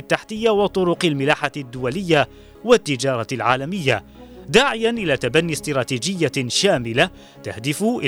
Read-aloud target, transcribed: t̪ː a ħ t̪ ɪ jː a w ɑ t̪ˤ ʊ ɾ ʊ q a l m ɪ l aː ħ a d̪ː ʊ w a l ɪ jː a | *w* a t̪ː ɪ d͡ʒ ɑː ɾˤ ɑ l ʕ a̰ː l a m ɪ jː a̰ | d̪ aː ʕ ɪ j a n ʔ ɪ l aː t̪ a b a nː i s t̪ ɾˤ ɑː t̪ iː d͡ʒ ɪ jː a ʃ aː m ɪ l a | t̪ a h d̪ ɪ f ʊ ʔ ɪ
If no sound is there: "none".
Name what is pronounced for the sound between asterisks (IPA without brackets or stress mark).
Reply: w